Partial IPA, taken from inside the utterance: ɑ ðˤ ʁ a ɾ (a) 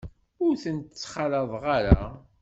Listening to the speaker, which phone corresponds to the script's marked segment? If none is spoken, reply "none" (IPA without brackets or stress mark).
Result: a